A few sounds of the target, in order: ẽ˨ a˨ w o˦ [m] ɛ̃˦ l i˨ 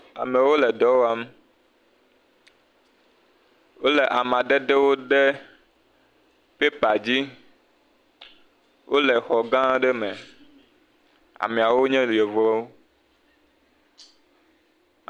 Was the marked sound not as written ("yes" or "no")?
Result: yes